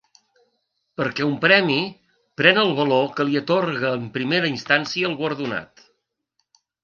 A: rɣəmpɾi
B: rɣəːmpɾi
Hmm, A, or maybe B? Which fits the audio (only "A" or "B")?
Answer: B